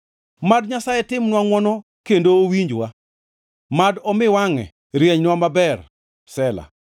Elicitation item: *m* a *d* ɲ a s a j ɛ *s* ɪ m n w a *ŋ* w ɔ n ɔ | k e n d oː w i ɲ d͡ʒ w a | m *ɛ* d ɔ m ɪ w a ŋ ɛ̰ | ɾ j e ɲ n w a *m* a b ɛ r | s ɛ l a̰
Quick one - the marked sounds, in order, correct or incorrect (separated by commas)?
correct, correct, incorrect, correct, incorrect, correct